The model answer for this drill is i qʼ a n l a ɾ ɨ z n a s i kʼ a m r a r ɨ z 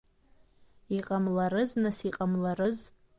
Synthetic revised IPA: i qʼ a m l a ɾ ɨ z n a s i qʼ a m l a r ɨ z